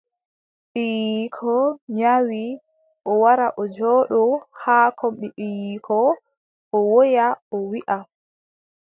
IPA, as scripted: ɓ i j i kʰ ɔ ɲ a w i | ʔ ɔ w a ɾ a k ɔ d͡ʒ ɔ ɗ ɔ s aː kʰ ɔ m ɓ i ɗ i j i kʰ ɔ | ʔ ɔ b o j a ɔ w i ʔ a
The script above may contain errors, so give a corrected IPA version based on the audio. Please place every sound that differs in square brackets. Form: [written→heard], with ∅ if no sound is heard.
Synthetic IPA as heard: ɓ i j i kʰ ɔ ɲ a w i | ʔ ɔ w a ɾ a [k→ʔ] ɔ d͡ʒ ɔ ɗ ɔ [s→h] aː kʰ ɔ m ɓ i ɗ i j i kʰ ɔ | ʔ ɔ [b→w] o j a ɔ w i ʔ a

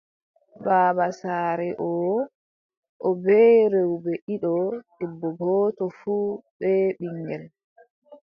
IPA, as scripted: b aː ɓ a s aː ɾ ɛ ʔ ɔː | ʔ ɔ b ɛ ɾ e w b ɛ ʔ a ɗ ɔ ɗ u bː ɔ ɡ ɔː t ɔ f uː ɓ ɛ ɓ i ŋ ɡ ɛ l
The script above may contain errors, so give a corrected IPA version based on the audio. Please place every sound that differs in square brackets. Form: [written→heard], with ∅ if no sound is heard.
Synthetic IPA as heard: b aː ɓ a s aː ɾ ɛ ʔ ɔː | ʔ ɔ b ɛ ɾ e w b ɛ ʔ [a→i] ɗ ɔ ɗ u bː ɔ ɡ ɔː t ɔ f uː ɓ ɛ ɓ i ŋ ɡ ɛ l

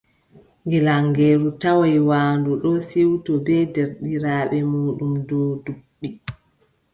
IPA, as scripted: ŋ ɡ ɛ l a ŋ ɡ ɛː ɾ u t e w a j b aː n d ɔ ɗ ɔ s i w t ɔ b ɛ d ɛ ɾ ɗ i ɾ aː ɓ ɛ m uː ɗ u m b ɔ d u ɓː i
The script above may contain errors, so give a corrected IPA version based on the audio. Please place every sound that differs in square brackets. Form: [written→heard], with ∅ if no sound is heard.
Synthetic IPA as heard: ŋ ɡ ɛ l a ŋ ɡ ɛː ɾ u t [e→a] w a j [b→w] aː n d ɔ ɗ ɔ s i w t ɔ b ɛ d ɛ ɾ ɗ i ɾ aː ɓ ɛ m uː ɗ u m [b→d] ɔ d u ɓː i

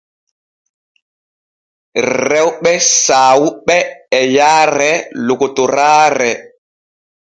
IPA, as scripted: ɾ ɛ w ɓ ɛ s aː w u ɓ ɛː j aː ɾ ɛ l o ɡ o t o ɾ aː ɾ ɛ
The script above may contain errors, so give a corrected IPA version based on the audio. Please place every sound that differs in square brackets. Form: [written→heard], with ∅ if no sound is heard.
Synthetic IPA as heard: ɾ ɛ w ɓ ɛ s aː w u ɓ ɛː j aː ɾ ɛ l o [ɡ→k] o t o ɾ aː ɾ ɛ

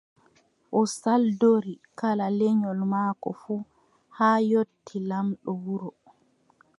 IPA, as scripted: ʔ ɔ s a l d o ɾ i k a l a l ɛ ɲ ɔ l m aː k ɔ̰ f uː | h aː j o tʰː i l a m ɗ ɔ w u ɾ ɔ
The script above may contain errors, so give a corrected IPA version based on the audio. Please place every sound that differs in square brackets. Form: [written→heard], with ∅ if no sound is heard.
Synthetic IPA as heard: ʔ ɔ s a l d o ɾ i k a l a l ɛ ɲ ɔ l m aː k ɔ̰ f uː | h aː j o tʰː i l a m ɗ ɔ w u ɾ ɔ

